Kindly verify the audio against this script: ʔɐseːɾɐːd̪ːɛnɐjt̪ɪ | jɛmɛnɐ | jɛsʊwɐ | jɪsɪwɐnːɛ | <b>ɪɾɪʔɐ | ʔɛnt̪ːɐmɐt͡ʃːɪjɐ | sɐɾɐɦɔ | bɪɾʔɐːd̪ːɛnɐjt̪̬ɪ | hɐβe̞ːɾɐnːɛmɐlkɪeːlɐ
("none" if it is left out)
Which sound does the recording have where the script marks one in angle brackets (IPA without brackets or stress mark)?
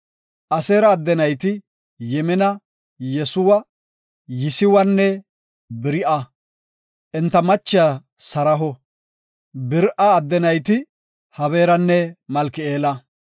b